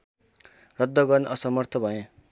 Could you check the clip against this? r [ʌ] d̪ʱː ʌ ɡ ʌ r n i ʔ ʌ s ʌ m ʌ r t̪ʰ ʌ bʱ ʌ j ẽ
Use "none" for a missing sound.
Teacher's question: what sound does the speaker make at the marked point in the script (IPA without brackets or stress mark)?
ʌ